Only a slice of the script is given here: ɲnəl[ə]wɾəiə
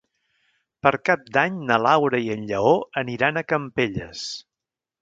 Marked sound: incorrect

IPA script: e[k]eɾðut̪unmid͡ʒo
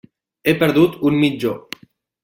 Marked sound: incorrect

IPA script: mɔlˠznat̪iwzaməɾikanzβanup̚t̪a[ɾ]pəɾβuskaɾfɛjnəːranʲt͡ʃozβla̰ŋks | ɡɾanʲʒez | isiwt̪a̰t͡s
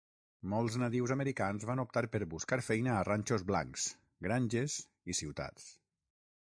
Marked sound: correct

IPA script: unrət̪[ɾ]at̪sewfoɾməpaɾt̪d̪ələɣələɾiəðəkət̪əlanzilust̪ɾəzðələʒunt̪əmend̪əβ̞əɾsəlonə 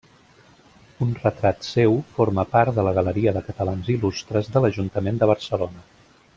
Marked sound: correct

